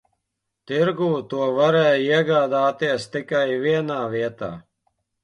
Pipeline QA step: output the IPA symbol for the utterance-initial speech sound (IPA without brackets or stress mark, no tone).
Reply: t̪